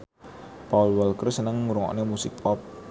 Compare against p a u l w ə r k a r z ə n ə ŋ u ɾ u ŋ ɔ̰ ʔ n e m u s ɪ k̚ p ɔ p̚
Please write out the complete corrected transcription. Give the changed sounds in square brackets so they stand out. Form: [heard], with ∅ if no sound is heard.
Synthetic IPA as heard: p a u l w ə [l] k [ə] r [s] ə n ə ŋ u ɾ u ŋ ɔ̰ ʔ n e m u s ɪ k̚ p ɔ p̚